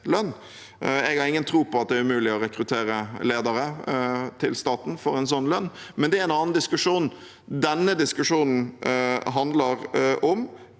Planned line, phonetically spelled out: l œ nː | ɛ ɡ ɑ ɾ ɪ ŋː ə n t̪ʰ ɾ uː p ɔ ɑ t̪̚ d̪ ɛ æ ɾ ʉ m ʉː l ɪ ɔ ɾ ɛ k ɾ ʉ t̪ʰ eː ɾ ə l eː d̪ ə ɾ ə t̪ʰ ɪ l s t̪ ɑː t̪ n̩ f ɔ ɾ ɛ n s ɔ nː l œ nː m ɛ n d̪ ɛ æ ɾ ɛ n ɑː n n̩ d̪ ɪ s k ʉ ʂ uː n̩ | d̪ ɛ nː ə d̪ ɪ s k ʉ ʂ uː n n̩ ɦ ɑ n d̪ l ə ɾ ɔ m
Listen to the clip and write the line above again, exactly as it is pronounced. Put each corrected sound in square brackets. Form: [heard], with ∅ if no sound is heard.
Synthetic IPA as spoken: l œ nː | ɛ ɡ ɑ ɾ ɪ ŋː ə n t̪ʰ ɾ uː p ɔ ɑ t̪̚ d̪ ɛ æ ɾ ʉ m ʉː l ɪ ɔ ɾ ɛ k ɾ ʉ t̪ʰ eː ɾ ə l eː d̪ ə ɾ ə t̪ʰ ɪ l s t̪ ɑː t̪ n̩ f ɔ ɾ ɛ n s ɔ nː l œ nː m ɛ n d̪ ɛ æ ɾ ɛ n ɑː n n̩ d̪ ɪ s k ʉ ʂ uː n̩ | d̪ ɛ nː ə d̪ ɪ s k ʉ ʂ uː n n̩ ɦ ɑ n d̪ l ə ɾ ɔ m

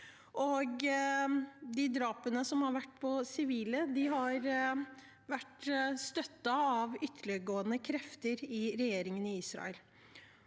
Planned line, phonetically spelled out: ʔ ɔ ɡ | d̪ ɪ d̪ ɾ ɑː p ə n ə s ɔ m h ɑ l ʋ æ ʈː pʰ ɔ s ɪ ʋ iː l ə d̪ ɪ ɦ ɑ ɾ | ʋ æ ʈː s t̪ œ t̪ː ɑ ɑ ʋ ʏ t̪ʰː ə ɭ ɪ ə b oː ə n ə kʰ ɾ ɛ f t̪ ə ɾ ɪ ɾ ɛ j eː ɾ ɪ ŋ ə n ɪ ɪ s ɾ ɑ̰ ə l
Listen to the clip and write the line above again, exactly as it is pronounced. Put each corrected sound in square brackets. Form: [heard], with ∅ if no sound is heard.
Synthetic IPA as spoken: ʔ ɔ ɡ | d̪ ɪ d̪ ɾ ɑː p ə n ə s ɔ m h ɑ [ɾ] ʋ æ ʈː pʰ ɔ s ɪ ʋ iː l ə d̪ ɪ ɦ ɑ ɾ | ʋ æ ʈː s t̪ œ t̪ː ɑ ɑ ʋ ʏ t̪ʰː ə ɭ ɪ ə [ɡ] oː ə n ə kʰ ɾ ɛ f t̪ ə ɾ ɪ ɾ ɛ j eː ɾ ɪ ŋ ə n ɪ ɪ s ɾ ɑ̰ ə l

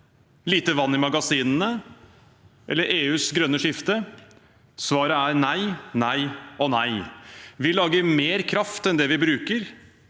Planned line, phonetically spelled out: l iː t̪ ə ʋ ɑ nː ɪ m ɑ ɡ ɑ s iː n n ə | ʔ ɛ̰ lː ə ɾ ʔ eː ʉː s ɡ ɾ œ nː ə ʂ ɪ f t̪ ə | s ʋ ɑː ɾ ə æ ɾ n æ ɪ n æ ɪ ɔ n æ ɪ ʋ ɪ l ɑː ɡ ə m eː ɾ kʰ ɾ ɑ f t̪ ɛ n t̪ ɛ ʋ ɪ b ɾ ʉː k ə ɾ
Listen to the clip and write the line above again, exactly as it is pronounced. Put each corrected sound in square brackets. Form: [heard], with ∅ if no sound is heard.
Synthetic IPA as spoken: l iː t̪ ə ʋ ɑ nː ɪ m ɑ ɡ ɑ s iː n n ə | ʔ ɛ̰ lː ə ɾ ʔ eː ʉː s ɡ ɾ œ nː ə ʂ ɪ f t̪ ə | s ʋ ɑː ɾ ə æ ɾ n æ ɪ n æ ɪ ɔ n æ ɪ ʋ ɪ l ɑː ɡ ə m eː ɾ kʰ ɾ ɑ f t̪ ɛ n [d̪] ɛ ʋ ɪ b ɾ ʉː k ə ɾ

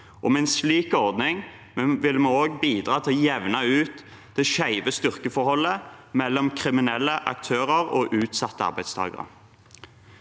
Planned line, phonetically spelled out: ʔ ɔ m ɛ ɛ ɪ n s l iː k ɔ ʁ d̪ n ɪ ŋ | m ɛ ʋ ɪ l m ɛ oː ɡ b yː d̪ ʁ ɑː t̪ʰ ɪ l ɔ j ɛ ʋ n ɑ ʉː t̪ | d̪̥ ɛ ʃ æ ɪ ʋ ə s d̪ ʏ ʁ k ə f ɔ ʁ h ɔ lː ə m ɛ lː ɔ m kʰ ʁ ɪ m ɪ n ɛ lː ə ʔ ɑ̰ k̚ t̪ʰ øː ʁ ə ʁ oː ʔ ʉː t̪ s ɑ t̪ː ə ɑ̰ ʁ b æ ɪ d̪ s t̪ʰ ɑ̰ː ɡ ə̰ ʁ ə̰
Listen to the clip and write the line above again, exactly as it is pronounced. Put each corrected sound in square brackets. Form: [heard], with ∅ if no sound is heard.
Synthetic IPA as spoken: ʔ ɔ m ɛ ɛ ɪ n s l iː k ɔ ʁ d̪ n ɪ ŋ | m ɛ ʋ ɪ l m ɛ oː ɡ b [iː] d̪ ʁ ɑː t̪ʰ ɪ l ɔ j ɛ ʋ n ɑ ʉː t̪ | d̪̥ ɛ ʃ æ ɪ ʋ ə s [t̪] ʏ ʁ k ə f ɔ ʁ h ɔ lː ə m ɛ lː ɔ m kʰ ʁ ɪ m ɪ n ɛ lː ə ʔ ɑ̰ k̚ t̪ʰ øː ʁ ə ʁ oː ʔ ʉː t̪ s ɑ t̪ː ə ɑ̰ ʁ b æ ɪ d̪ s t̪ʰ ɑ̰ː ɡ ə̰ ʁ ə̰

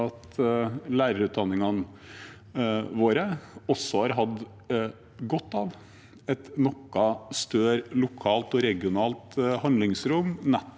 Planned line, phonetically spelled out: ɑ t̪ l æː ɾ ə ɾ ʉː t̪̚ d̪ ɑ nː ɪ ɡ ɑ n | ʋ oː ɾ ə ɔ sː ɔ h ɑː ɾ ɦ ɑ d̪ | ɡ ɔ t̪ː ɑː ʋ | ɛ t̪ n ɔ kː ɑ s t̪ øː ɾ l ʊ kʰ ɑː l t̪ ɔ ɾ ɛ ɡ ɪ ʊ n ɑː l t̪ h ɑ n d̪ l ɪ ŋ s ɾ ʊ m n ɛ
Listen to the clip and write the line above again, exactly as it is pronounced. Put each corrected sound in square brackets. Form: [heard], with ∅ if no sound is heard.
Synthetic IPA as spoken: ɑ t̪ l æː ɾ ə ɾ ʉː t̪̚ d̪ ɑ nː ɪ [ŋ] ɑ n | ʋ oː ɾ ə ɔ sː ɔ h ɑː ɾ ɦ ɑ d̪ | ɡ ɔ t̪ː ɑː ʋ | ɛ t̪ n ɔ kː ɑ s t̪ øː ɾ l ʊ kʰ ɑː l t̪ ɔ ɾ ɛ ɡ ɪ ʊ n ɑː l t̪ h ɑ n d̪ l ɪ ŋ s ɾ ʊ m n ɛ

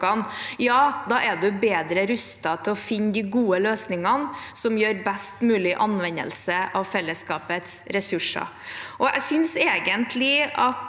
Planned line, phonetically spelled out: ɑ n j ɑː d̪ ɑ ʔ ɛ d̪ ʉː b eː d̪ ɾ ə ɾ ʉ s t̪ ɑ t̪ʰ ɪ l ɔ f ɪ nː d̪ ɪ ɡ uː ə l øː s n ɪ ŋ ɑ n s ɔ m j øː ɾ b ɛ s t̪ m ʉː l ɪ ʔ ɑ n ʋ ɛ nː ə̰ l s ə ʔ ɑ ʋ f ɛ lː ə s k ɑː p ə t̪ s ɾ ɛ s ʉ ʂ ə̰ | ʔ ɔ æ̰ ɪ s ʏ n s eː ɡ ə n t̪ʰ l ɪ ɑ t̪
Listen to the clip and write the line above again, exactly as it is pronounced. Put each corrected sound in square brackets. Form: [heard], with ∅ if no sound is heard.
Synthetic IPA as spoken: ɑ n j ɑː d̪ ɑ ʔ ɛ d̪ [ʉ] b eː d̪ ɾ ə ɾ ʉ s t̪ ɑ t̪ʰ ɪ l ɔ f ɪ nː d̪ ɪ ɡ uː ə l øː s n ɪ ŋ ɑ n s ɔ m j øː ɾ b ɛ s t̪ m ʉː l ɪ ʔ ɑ n ʋ ɛ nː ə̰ l s ə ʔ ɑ ʋ f ɛ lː ə s k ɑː p ə t̪ s ɾ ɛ s ʉ ʂ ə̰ | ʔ ɔ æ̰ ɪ s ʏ n s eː ɡ ə n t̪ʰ l ɪ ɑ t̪

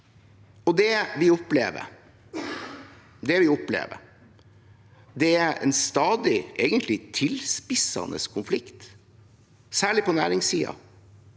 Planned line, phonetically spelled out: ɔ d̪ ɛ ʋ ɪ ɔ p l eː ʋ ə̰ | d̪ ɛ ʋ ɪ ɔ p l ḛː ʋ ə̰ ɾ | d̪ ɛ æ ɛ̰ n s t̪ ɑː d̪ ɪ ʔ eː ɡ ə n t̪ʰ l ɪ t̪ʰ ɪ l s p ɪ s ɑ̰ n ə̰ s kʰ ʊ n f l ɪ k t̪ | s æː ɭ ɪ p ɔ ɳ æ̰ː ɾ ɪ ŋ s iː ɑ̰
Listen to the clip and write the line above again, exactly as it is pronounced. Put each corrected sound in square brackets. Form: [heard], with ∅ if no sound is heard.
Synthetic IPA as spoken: ɔ d̪ ɛ ʋ ɪ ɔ p l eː ʋ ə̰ | d̪ ɛ ʋ ɪ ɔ p l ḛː ʋ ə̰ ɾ | d̪ ɛ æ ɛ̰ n s t̪ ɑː d̪ ɪ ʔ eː ɡ ə n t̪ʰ l ɪ t̪ʰ ɪ l s p ɪ s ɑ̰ n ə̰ s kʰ ʊ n f l ɪ k t̪ | s æː ɭ ɪ p ɔ [n] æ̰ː ɾ ɪ ŋ s iː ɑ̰

